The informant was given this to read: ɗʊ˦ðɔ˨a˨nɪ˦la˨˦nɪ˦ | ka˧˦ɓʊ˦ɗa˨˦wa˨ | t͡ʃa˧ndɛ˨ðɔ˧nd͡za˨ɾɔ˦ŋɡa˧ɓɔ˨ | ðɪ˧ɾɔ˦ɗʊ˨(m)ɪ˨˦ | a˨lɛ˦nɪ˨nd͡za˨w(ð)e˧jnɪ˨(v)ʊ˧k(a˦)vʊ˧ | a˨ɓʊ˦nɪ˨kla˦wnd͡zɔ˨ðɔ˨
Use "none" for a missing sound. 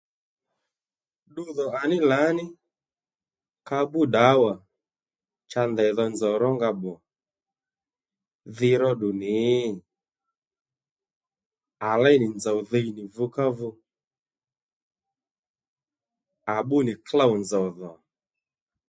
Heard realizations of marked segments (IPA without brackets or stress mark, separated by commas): n, ð, v, a˦